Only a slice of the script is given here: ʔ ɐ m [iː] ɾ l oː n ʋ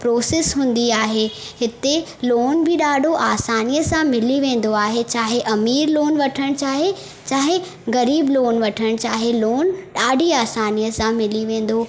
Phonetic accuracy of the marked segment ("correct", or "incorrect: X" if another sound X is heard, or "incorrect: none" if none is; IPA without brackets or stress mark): correct